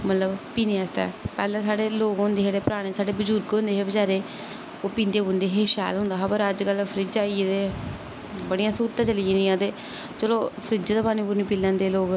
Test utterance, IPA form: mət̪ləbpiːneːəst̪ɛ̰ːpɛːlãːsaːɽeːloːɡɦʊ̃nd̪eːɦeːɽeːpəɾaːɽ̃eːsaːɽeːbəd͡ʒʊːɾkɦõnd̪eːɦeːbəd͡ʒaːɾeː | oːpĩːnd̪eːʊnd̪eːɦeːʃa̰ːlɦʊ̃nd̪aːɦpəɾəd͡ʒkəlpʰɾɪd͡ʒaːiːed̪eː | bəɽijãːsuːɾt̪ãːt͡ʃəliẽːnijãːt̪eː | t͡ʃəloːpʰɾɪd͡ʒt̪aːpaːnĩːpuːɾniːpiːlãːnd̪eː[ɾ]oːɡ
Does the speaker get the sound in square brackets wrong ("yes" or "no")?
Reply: yes